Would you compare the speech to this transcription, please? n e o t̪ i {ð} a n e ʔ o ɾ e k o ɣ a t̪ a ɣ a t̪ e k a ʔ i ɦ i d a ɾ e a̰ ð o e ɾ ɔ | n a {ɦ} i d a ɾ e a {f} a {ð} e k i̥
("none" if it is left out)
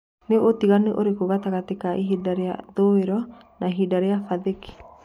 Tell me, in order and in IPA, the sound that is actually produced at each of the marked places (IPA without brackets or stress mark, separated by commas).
ɣ, ɦ, f, ð